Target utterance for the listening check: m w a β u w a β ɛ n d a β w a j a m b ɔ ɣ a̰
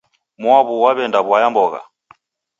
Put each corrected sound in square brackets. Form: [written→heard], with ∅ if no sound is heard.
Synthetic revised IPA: m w a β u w a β ɛ n d a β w a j a m b ɔ ɣ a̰